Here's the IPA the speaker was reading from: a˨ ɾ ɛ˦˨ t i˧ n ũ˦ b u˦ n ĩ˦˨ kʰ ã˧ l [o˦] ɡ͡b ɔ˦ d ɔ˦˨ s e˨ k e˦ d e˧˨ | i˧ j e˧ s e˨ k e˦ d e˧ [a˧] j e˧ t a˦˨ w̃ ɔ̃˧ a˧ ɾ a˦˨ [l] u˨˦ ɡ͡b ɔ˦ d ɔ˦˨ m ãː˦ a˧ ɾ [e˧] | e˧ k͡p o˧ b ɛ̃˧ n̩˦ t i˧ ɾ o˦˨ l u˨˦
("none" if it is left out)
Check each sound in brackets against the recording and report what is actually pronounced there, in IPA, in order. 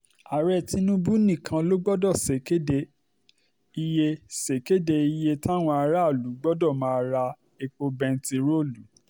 o˦, i˧, l, a˧

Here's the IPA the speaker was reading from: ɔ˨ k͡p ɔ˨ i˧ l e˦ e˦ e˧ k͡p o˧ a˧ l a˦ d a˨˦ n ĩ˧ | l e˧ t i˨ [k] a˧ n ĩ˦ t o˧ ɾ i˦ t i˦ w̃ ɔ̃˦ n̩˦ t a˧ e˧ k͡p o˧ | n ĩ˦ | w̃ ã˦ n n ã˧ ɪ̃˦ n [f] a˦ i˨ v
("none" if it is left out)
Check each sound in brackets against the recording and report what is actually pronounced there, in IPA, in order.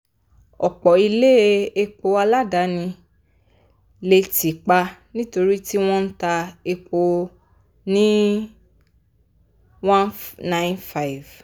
k͡p, f

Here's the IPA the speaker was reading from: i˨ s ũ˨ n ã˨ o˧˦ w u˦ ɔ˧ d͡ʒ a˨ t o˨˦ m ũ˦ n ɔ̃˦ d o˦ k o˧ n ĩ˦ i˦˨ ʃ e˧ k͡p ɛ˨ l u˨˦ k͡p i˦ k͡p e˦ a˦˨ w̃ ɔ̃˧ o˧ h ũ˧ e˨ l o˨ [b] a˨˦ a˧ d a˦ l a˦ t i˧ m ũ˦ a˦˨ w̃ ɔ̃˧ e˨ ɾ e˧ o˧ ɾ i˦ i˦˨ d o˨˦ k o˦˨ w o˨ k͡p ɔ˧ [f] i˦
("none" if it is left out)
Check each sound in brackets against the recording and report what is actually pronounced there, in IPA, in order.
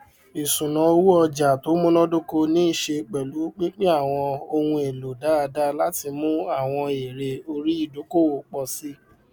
d, s

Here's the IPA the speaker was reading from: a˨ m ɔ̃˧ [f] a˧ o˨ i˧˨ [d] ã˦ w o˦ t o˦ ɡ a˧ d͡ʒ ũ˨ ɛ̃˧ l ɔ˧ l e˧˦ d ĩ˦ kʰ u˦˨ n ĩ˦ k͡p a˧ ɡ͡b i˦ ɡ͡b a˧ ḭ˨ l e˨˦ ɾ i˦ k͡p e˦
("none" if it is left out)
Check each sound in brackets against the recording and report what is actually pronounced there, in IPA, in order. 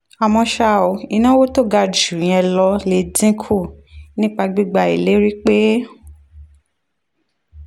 ʃ, n

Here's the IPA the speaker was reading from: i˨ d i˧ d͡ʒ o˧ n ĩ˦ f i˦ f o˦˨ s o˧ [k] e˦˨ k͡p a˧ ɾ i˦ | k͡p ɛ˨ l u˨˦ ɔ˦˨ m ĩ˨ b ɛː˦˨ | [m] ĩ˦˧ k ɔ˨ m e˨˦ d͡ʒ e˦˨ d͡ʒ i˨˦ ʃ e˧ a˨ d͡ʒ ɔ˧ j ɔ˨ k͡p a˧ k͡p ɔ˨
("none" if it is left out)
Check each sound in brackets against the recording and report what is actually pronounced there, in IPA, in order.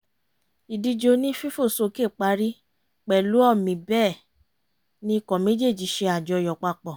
k, n

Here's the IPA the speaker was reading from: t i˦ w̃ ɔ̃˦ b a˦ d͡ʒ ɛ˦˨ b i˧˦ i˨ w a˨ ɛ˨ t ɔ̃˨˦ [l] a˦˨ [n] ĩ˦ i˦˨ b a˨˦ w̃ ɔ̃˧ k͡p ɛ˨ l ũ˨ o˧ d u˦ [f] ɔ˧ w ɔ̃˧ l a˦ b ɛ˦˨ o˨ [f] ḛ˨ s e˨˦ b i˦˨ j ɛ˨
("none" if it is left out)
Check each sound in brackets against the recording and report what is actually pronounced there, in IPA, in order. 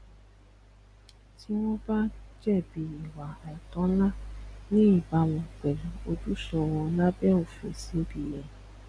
l, n, ʃ, f

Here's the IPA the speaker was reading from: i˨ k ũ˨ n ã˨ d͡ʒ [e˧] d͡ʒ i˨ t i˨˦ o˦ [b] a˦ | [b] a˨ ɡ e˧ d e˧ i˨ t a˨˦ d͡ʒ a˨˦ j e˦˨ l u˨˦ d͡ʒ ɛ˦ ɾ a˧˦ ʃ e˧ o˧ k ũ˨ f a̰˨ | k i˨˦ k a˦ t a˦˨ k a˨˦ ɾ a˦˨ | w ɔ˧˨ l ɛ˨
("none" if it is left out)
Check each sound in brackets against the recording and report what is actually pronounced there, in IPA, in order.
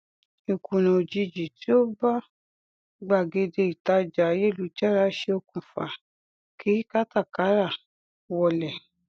i˧, b, ɡ͡b

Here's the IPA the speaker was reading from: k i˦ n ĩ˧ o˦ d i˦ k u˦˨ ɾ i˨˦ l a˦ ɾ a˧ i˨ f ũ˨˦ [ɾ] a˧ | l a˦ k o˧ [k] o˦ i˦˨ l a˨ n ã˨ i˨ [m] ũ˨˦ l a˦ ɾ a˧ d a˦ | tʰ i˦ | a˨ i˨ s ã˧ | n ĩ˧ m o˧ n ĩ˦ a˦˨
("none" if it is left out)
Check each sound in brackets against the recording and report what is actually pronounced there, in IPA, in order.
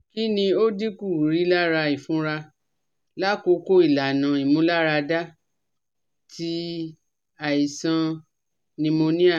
ɾ, k, m

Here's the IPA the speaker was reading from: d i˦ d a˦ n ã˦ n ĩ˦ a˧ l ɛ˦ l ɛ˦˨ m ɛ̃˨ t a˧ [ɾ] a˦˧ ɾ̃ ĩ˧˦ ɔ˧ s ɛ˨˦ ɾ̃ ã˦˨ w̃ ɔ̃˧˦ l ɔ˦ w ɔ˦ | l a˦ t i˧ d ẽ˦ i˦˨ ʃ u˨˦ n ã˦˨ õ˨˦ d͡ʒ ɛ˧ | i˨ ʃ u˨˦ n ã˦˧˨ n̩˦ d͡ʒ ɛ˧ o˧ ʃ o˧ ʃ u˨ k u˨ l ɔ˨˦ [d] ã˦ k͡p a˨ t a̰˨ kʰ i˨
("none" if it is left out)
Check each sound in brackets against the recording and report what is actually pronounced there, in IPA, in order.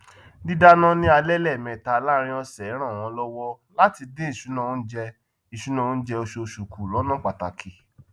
l, n

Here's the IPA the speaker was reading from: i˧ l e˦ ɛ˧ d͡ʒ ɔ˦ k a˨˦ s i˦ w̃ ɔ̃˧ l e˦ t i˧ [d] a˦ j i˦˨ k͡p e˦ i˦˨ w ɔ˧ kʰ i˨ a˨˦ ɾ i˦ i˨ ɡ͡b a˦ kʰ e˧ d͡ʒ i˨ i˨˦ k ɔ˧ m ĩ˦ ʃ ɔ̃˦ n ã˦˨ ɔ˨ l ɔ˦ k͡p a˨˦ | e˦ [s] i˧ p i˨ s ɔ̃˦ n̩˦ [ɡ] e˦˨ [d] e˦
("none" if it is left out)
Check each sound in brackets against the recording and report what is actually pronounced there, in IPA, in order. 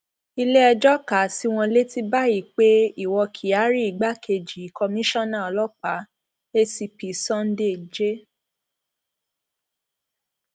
b, s, d, d͡ʒ

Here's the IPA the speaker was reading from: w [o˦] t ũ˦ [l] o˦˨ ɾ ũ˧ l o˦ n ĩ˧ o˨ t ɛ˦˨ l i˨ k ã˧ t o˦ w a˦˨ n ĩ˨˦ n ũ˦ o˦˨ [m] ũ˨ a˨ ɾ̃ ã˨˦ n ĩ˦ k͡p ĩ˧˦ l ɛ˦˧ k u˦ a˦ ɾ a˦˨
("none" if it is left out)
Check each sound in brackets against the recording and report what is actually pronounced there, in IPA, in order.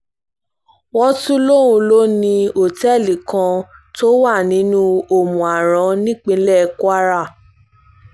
ɔ˦, l, m

